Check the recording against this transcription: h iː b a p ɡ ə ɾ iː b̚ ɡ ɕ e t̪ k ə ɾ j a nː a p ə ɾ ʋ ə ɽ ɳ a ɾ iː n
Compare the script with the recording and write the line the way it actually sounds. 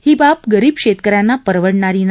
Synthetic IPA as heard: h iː b a p ɡ ə ɾ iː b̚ k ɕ e t̪ k ə ɾ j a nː a p ə ɾ ʋ ə ɽ ɳ a ɾ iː n

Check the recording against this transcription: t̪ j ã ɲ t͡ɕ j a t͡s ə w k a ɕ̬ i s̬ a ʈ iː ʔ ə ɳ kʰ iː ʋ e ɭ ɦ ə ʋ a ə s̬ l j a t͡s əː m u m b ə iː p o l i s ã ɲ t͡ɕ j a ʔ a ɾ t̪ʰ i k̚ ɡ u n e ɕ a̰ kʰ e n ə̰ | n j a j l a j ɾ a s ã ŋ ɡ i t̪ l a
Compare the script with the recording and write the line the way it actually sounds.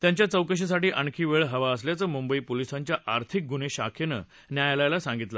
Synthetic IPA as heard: t̪ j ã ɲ t͡ɕ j a t͡s ə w k ə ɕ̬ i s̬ a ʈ iː ʔ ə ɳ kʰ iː ʋ e ɭ ɦ ə ʋ a ə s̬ l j a t͡s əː m u m b ə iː p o l i s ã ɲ t͡ɕ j a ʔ a ɾ t̪ʰ i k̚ ɡ u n e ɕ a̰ kʰ e n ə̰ | n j a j l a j l a s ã ŋ ɡ i t̪ l a

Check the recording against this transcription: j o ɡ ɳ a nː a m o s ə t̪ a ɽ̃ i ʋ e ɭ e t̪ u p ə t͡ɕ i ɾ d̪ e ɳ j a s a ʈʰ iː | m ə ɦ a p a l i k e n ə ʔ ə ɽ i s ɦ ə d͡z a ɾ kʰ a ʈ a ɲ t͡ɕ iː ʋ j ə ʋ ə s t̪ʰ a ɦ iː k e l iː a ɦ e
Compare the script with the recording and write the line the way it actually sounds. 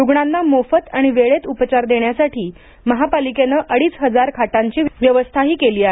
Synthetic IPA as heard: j u ɡ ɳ a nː a m o f ə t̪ a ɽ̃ i ʋ e ɭ e t̪ u p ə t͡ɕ a ɾ d̪ e ɳ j a s a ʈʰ iː | m ə ɦ a p a l i k e n ə ʔ ə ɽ iː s ɦ ə d͡z a ɾ kʰ a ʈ a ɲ t͡ɕ iː ʋ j ə ʋ ə s t̪ʰ a ɦ iː k e l iː a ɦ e

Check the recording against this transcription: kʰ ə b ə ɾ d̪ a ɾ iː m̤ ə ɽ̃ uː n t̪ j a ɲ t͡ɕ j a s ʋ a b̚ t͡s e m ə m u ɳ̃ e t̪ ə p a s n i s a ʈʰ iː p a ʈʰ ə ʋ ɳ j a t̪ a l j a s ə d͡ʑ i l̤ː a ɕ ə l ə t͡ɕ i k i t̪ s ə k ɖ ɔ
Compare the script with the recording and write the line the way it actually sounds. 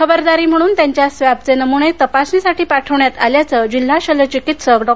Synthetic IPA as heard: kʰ ə b ə ɾ d̪ a ɾ iː m̤ ə ɽ̃ uː n t̪ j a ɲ t͡ɕ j a s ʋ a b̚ t͡s e n ə m u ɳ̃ e t̪ ə p a s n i s a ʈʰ iː p a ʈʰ ə ʋ ɳ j a t̪ a l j a t͡s ə d͡ʑ i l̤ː a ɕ ə l ə t͡ɕ i k i t̪ s ə k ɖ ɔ

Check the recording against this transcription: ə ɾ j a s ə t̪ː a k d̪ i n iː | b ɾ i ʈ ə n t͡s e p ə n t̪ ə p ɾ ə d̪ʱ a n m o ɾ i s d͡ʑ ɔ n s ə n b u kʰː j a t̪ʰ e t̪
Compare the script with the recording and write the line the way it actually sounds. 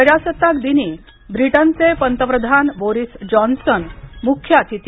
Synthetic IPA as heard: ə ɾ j a s ə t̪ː a k d̪ i n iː | b ɾ i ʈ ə n t͡s e p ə n t̪ ə p ɾ ə d̪ʱ a n b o ɾ i s d͡ʑ ɔ n s ə n m u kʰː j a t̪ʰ i t̪

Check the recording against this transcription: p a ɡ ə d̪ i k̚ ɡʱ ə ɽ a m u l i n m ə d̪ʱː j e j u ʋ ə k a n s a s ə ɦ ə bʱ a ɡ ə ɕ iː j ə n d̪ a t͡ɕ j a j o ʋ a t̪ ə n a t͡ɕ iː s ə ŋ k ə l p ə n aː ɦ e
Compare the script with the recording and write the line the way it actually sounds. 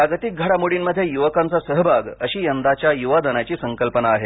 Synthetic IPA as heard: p a ɡ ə t̪ i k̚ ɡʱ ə ɽ a m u ɽ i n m ə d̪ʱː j e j u ʋ ə k a n t͡s a s ə ɦ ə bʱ a ɡ ə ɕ iː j ə n d̪ a t͡ɕ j a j u ʋ a d̪ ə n a t͡ɕ iː s ə ŋ k ə l p ə n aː ɦ e

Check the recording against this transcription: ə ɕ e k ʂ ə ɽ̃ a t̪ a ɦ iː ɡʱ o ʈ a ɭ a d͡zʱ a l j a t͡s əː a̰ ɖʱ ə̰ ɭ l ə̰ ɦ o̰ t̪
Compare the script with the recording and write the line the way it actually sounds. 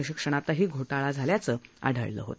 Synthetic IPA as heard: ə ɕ i k ʂ ə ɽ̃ a t̪ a ɦ iː ɡʱ o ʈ a ɭ a d͡zʱ a l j a t͡s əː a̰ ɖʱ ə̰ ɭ l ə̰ ɦ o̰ t̪

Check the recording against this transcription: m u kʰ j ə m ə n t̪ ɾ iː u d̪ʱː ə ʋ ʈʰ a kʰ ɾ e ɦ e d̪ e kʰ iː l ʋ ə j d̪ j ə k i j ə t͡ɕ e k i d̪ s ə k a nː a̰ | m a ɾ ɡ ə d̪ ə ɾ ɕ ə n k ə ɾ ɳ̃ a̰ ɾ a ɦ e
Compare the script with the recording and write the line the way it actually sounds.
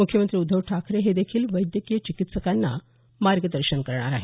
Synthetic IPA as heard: m u kʰ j ə m ə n t̪ ɾ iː u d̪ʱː ə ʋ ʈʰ a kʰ ɾ e ɦ e d̪ e kʰ iː l ʋ ə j d̪ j ə k i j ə t͡ɕ i k i t̪ s ə k a nː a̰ | m a ɾ ɡ ə d̪ ə ɾ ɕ ə n k ə ɾ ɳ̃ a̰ ɾ a ɦ e

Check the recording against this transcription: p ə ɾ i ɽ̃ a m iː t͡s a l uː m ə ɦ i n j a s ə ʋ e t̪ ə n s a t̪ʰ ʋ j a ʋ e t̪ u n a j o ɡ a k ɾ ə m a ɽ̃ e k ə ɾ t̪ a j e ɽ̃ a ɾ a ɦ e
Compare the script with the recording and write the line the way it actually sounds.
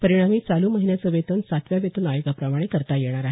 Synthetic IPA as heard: p ə ɾ i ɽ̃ a m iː t͡s a l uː m ə ɦ i n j a t͡s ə ʋ e t̪ ə n s a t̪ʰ ʋ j a ʋ e t̪ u n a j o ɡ a p ɾ ə m a ɽ̃ e k ə ɾ t̪ a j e ɽ̃ a ɾ a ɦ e

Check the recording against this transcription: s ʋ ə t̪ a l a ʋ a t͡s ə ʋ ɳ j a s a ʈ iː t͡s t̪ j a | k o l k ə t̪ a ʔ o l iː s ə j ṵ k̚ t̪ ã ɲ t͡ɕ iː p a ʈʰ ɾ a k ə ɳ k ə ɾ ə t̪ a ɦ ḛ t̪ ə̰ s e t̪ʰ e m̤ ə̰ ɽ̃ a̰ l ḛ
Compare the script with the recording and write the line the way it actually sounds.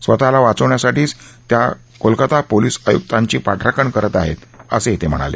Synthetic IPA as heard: s ʋ ə t̪ a l a ʋ a t͡s ə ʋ ɳ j a s a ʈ iː t͡s t̪ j a | k o l k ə t̪ a p o l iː s ə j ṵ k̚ t̪ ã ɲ t͡ɕ iː p a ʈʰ ɾ a k ə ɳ k ə ɾ ə t̪ a ɦ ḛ t̪ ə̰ s e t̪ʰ e m̤ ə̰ ɽ̃ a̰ l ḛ

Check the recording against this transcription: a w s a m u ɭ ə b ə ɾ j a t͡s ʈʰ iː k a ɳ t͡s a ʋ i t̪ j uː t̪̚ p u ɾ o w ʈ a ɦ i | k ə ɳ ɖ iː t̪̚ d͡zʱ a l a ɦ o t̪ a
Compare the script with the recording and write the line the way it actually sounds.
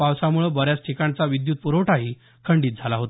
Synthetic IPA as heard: a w s a m u ɭ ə b ə ɾ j a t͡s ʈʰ i k a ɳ t͡s a ʋ i d̪ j uː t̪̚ p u ɾ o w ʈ a ɦ i | kʰ ə ɳ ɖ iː t̪̚ d͡zʱ a l a ɦ o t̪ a

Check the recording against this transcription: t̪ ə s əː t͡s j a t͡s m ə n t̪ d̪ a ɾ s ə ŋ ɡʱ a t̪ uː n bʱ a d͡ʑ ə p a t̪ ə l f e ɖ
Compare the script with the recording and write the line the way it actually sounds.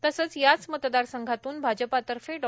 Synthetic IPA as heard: t̪ ə s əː t͡s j a t͡s m ə t̪ d̪ a ɾ s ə ŋ ɡʱ a t̪ uː n bʱ a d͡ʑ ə p a t̪ ə ɾ f e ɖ

